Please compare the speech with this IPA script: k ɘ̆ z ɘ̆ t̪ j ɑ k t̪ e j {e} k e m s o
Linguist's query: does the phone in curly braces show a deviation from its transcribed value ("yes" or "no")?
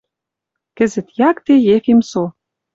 no